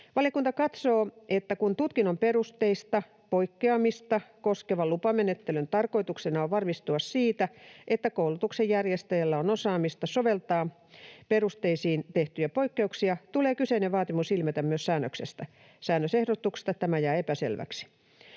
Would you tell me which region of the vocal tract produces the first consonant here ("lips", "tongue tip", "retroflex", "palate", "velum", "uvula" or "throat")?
lips